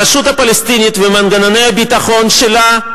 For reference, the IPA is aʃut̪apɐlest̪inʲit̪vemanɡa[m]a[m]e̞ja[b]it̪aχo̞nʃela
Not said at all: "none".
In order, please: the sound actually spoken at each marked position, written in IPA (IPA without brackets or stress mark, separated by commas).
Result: n, n, b